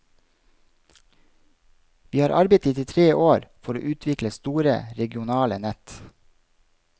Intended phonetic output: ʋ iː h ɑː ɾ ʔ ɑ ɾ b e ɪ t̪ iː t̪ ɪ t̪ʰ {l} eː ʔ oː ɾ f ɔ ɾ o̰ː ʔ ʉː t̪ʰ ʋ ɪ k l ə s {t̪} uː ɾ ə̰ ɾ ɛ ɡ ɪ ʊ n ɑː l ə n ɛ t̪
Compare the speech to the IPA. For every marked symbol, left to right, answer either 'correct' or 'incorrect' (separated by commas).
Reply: incorrect, correct